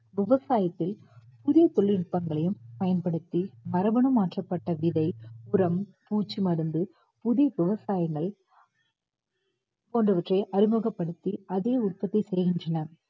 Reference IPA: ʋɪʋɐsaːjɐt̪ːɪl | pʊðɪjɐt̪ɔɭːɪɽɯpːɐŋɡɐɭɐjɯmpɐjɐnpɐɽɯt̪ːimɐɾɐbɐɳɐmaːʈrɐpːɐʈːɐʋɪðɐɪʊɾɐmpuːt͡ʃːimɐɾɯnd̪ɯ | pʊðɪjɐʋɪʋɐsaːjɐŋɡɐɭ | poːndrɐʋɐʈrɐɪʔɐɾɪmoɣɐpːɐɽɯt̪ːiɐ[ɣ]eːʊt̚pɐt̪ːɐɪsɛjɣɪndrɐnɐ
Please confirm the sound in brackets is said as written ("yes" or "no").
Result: no